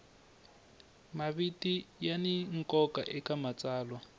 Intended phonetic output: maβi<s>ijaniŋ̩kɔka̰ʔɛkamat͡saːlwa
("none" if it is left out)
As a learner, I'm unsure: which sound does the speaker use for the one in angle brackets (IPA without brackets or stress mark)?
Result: t